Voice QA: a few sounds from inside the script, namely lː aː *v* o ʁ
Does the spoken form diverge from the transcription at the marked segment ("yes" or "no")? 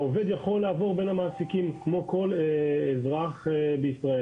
no